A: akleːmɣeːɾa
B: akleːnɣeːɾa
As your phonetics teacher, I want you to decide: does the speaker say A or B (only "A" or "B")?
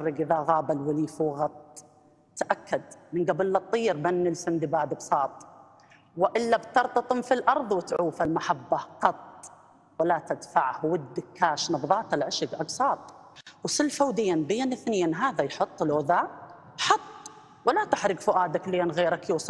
B